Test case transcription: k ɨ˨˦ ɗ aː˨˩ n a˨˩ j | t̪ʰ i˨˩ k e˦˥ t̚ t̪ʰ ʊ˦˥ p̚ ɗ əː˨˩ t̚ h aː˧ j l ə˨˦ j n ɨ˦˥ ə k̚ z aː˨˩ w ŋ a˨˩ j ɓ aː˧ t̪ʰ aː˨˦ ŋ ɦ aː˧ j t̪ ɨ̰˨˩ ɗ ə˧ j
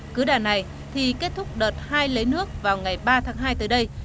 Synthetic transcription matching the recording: k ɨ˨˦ ɗ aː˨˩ n a˨˩ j | t̪ʰ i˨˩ k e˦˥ t̚ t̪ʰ ʊ˦˥ k͡p̚ ɗ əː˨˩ t̚ h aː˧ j l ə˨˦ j n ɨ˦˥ ə k̚ v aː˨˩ w ŋ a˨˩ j ɓ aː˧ t̪ʰ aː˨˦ ŋ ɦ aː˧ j t̪ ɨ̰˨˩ ɗ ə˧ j